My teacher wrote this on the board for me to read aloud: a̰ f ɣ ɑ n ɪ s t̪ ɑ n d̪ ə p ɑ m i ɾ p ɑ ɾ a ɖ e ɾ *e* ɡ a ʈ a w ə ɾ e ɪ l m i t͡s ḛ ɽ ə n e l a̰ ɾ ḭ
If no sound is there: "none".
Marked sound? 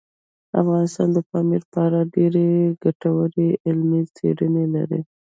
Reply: e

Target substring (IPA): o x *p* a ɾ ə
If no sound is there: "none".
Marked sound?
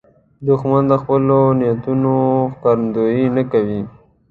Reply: k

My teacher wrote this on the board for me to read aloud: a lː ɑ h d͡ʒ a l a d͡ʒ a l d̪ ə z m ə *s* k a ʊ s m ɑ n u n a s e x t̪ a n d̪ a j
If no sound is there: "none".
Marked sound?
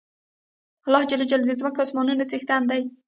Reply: none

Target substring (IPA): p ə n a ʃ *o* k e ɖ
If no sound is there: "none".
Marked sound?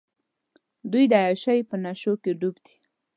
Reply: o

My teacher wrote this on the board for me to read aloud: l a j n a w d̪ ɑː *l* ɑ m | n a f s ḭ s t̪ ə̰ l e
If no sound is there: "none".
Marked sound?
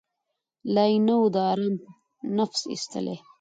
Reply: ɾ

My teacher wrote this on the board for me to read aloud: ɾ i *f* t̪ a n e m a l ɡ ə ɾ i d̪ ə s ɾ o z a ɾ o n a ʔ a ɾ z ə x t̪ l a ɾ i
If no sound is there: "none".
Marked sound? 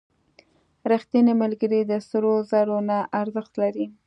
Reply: x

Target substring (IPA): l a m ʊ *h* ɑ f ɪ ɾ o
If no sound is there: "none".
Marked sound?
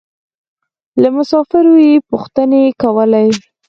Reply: s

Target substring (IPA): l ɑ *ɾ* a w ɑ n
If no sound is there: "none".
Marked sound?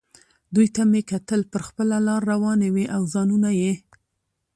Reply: ɾː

